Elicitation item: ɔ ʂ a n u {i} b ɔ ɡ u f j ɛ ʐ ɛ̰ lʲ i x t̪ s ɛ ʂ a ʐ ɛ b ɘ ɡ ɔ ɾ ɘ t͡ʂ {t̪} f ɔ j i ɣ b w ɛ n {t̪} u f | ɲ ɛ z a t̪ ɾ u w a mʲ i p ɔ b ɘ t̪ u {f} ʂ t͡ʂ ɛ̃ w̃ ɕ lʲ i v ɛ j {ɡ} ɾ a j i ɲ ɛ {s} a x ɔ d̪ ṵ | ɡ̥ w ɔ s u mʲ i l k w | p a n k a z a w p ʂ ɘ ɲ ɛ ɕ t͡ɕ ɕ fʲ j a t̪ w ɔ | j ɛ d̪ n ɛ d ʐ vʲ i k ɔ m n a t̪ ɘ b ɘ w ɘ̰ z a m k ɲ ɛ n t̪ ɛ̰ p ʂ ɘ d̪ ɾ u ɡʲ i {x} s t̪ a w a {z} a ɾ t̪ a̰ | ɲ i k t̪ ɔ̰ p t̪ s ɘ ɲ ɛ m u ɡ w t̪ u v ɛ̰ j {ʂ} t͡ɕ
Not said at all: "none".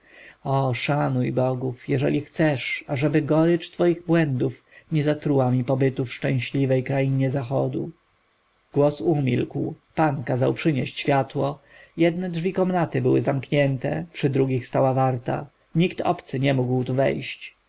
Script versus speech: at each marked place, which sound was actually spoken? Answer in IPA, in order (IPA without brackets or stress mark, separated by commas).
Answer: j, t̪, d̪, f, k, z, x, v, ɕ